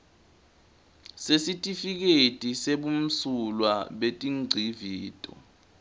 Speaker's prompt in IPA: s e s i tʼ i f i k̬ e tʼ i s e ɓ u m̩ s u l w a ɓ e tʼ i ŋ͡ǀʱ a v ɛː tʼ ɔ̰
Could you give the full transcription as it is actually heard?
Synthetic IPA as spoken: s e s i tʼ i f i k̬ e tʼ i s e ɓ u m̩ s u l w a ɓ e tʼ i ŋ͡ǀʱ i v iː tʼ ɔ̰